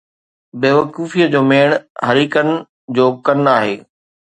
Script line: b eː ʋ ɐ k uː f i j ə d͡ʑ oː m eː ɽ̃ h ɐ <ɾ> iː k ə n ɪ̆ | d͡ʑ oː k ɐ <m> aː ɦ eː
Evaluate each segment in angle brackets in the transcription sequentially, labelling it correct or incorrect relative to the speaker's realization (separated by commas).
correct, incorrect